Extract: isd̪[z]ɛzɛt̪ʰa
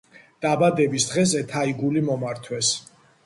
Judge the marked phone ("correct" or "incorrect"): incorrect